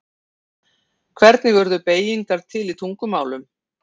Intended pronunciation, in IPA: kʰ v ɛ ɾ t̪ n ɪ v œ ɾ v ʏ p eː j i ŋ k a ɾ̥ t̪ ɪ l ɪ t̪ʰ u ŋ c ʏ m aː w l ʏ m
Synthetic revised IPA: kʰ v ɛ ɾ t̪ n ɪ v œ ɾ ð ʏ p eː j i ŋ k a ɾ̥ t̪ʰ ɪ l i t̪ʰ u ŋ k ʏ m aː w l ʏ m